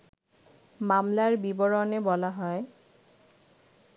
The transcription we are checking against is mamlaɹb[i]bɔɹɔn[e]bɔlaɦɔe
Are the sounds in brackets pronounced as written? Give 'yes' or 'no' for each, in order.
yes, yes

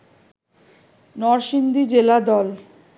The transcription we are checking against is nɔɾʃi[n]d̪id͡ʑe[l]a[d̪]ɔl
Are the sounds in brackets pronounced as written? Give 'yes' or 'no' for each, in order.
yes, yes, yes

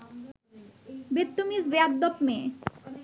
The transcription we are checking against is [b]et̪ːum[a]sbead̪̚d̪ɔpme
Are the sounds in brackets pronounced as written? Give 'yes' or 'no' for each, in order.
yes, no

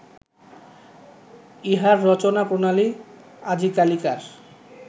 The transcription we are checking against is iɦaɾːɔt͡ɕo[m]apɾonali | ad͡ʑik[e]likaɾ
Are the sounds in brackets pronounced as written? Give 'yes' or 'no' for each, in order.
no, no

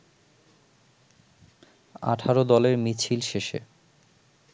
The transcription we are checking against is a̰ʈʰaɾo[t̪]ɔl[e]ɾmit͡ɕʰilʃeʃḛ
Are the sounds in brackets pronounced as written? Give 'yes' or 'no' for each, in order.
no, yes

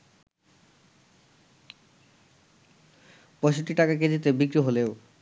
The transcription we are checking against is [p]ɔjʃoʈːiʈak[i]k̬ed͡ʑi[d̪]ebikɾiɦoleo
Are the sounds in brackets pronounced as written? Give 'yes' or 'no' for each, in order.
yes, no, no

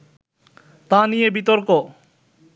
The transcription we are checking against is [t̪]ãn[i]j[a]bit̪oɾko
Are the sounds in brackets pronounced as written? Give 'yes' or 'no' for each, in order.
yes, yes, no

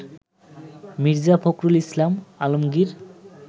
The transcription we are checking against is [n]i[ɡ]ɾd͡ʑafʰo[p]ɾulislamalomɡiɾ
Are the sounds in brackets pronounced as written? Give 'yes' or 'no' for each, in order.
no, no, no

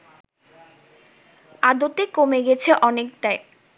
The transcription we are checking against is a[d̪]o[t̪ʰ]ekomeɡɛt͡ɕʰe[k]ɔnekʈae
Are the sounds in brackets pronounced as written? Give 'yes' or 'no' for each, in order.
yes, no, no

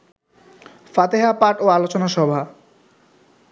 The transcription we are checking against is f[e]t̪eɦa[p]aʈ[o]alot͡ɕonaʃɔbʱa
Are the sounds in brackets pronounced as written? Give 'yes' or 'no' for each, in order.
no, yes, yes

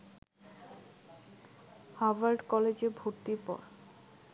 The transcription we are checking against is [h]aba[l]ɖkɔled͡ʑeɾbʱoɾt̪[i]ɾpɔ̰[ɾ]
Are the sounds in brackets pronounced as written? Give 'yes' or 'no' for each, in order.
yes, no, yes, yes

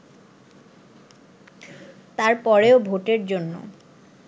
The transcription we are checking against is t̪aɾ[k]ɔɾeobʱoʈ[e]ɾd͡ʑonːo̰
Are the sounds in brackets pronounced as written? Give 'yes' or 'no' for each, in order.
no, yes

